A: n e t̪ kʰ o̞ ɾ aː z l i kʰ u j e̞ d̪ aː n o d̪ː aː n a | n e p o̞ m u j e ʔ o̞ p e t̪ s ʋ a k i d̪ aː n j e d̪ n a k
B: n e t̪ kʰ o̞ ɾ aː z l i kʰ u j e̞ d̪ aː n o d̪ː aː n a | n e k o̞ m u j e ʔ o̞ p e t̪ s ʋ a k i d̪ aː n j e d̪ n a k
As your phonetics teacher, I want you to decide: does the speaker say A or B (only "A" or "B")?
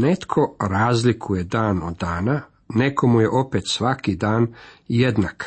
B